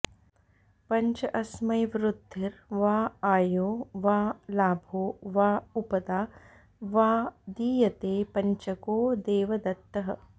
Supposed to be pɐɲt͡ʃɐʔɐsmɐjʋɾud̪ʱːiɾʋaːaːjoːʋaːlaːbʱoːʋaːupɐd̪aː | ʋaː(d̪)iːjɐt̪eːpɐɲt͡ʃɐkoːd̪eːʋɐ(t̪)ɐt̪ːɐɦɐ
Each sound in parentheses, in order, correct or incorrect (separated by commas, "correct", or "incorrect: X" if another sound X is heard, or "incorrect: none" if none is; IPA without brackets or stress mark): correct, incorrect: d̪